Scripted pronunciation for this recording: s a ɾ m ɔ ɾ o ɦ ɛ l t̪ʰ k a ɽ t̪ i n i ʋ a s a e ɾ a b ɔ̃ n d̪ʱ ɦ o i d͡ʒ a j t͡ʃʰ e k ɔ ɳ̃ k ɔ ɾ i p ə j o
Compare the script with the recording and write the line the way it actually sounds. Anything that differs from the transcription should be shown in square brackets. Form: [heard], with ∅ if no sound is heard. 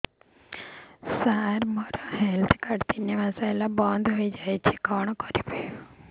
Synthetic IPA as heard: s a ɾ m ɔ ɾ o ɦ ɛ l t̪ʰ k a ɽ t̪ i n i ʋ a s a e [l] a b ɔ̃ n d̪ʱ ɦ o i d͡ʒ a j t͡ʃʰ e k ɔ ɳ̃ k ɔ ɾ i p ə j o

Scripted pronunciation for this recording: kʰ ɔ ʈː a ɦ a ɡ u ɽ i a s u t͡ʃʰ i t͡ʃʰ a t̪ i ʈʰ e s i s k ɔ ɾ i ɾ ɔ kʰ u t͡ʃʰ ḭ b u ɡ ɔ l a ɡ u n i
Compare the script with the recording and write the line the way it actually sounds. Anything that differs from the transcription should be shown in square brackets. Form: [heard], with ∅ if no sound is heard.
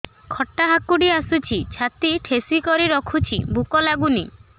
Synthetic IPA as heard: kʰ ɔ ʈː a ɦ a [k] u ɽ i a s u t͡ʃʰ i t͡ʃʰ a t̪ i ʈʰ e s i [∅] k ɔ ɾ i ɾ ɔ kʰ u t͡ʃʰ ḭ b u [k] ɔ l a ɡ u n i

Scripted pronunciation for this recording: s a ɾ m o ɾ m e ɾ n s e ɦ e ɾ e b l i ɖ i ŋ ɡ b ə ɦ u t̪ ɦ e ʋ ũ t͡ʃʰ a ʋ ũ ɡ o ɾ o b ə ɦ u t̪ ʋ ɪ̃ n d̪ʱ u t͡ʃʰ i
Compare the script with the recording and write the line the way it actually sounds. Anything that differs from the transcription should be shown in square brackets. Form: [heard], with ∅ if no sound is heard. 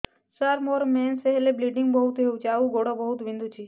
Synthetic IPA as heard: s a ɾ m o ɾ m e [∅] n s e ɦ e [l] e b l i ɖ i ŋ ɡ b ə ɦ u t̪ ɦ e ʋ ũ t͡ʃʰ a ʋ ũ ɡ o [ɽ] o b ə ɦ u t̪ ʋ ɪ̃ n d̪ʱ u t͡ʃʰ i

